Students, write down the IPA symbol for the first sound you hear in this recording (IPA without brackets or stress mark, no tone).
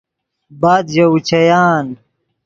b